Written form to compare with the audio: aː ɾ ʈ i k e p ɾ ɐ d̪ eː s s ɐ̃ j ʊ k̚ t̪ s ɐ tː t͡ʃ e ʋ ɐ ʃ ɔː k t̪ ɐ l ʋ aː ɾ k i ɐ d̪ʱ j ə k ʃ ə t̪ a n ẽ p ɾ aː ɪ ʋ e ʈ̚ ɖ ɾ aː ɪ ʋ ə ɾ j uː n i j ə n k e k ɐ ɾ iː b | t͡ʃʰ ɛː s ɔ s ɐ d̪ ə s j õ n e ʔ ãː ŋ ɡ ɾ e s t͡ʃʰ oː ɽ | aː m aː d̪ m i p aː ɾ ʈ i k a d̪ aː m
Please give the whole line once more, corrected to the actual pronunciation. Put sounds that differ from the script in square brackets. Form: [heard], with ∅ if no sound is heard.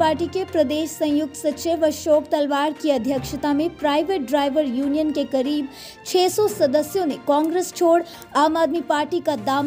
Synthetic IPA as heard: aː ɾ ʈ i k e p ɾ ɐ d̪ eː [ʃ] s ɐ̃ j ʊ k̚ t̪ s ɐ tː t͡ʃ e ʋ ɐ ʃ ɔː k t̪ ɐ l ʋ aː ɾ k i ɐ d̪ʱ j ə k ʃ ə t̪ a [m] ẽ p ɾ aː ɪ ʋ e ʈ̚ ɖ ɾ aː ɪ ʋ ə ɾ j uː n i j ə n k e k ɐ ɾ iː b | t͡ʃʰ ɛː s ɔ s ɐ d̪ ə s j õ n e [k] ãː ŋ ɡ ɾ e s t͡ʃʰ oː ɽ | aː m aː d̪ m i p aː ɾ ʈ i k a d̪ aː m